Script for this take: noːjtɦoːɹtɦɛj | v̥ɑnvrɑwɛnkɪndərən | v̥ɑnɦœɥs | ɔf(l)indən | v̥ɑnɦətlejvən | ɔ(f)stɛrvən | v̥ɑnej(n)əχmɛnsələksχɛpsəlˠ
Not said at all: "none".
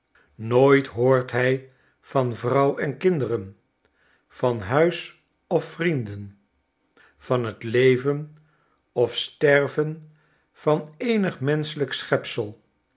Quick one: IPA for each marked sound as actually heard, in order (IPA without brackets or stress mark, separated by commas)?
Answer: r, f, n